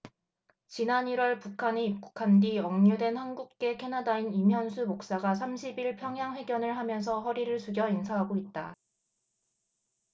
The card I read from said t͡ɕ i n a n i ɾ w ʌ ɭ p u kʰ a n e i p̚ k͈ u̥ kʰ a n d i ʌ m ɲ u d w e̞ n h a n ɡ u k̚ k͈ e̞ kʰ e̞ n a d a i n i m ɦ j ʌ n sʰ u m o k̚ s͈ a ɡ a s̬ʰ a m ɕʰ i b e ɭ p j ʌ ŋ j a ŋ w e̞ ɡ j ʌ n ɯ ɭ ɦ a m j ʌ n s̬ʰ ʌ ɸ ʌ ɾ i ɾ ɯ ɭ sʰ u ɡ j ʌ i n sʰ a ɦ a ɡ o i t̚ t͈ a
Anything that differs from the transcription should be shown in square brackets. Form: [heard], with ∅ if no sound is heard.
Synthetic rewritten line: t͡ɕ i n a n i ɾ w ʌ ɭ p u kʰ a n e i p̚ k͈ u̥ kʰ a n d i ʌ [ŋ] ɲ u d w e̞ n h a n ɡ u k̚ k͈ e̞ kʰ e̞ n a d a i n i m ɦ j ʌ n sʰ u m o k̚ s͈ a ɡ a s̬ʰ a m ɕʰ i b [i] ɭ [pʰ] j ʌ ŋ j a ŋ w e̞ ɡ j ʌ n ɯ ɭ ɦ a m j ʌ n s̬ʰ ʌ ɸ ʌ ɾ i ɾ ɯ ɭ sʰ u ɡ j ʌ i n sʰ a ɦ a ɡ o i t̚ t͈ a